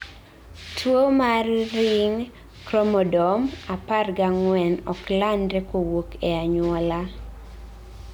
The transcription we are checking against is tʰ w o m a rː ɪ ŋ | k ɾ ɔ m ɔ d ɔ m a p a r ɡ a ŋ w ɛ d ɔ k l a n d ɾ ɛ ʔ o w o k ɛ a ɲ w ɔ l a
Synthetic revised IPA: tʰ w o m a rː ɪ ŋ | k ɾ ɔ m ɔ d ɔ m a p a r ɡ a ŋ w ɛ n ɔ k l a n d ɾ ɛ k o w o k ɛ a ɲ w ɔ l a